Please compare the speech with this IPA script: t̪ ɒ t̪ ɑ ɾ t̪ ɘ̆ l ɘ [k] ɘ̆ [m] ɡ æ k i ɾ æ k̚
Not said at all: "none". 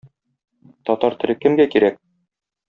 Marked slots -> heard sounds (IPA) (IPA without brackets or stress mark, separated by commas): k, m